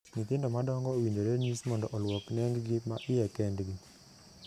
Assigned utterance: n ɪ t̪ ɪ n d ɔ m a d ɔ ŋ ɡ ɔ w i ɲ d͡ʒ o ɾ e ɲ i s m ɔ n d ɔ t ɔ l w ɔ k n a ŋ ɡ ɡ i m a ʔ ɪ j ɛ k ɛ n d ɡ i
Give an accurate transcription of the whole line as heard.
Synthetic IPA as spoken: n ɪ t̪ ɪ n d ɔ m a d ɔ ŋ ɡ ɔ w i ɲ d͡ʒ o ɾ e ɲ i s m ɔ n d ɔ ʔ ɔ l w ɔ k n ɛ ŋ ɡ ɡ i m a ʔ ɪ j ɛ k ɛ n d ɡ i